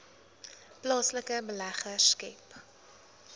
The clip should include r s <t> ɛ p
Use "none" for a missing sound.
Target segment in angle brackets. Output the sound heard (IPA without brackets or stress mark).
k